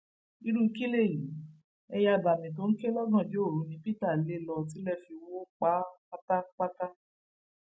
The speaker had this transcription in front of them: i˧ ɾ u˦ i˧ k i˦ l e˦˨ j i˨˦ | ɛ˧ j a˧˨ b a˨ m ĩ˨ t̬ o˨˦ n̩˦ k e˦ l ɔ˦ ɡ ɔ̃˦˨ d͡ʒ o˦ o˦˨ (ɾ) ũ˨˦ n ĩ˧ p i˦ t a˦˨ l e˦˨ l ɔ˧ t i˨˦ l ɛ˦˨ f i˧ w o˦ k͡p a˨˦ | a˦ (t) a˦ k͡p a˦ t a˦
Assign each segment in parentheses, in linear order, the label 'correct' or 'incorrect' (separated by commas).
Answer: correct, correct